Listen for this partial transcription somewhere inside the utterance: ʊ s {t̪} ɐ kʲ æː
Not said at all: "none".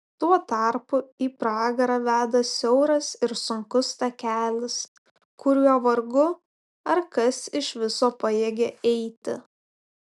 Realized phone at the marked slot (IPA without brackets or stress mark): t̪